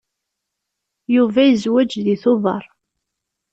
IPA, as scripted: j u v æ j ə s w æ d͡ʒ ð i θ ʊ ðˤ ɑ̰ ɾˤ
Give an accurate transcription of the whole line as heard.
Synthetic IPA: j u v æ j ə z w æ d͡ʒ ð i θ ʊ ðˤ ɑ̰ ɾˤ